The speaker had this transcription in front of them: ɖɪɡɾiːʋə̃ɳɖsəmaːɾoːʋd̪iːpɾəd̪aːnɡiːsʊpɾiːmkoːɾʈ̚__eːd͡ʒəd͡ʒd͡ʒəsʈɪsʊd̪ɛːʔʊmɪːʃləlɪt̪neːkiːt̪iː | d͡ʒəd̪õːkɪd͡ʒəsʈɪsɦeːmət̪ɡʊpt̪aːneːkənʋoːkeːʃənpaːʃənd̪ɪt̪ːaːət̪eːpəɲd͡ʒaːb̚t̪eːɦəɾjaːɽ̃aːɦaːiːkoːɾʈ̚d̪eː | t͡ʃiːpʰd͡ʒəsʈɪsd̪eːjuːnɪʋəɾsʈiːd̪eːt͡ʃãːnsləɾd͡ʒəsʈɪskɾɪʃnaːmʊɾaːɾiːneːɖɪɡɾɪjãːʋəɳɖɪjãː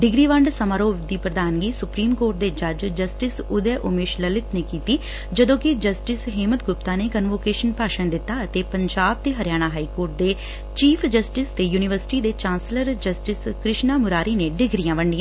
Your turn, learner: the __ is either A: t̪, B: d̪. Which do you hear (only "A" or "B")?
B